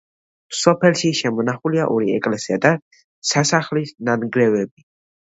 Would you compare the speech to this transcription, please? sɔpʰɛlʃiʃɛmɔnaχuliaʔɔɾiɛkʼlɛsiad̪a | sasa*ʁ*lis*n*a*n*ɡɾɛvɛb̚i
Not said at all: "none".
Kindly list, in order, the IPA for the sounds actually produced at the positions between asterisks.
χ, n, n

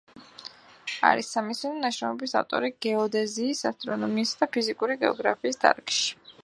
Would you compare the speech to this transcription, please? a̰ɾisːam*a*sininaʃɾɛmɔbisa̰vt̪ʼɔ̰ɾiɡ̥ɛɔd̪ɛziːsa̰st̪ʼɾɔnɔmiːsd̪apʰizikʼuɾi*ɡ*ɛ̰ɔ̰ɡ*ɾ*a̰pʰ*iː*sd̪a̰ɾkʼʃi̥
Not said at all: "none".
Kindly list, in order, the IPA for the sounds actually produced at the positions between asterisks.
i, ɡ, ɾ, iː

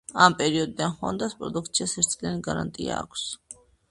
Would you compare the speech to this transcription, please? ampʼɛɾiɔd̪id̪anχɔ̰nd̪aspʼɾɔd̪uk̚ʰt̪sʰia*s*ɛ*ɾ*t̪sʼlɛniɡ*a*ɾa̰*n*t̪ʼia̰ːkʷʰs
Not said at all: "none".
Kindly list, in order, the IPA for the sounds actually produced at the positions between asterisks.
s, ɾ, a, n

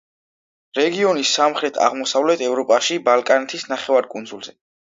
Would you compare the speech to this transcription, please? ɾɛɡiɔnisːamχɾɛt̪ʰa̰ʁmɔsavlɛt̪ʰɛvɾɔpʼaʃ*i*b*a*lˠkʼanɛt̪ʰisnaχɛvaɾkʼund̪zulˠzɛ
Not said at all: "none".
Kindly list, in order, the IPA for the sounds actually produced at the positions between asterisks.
i, a

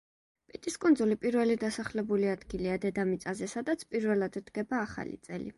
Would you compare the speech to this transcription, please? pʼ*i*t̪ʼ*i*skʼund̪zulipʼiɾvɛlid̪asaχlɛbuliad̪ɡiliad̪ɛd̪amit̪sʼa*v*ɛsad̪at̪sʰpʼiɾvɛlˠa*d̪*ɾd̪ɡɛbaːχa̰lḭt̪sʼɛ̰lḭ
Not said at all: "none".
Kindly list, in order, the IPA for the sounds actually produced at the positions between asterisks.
i, i, z, d̪

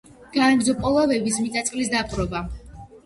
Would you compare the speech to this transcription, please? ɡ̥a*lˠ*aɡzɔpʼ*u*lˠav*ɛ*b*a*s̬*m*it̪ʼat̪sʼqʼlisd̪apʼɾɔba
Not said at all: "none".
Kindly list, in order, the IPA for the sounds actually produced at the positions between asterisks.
none, ɔ, ɛ, i, m

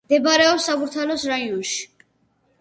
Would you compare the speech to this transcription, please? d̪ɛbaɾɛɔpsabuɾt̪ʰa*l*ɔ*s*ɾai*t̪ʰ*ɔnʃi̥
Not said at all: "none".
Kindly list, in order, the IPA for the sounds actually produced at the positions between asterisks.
l, s, none

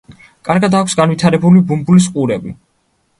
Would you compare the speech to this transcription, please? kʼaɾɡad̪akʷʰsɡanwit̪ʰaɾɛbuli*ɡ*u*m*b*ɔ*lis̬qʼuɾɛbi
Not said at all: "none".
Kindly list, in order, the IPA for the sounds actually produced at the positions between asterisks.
b, m, u

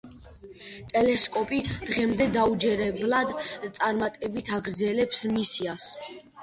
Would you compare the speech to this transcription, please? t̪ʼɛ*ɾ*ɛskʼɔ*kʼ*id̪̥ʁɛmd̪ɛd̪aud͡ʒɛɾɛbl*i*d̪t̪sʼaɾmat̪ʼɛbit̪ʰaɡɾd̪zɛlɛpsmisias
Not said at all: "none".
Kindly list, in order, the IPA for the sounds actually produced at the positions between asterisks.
l, pʼ, a

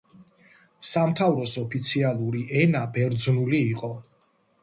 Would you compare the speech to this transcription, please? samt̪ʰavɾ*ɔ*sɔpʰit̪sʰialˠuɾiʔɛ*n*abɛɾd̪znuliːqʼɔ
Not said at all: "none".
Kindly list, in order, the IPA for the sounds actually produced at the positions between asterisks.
ɔ, n

